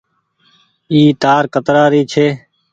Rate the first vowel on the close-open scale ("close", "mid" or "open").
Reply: close